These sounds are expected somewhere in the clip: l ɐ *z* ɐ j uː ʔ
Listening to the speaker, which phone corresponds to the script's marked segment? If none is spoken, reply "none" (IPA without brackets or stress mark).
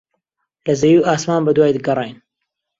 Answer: z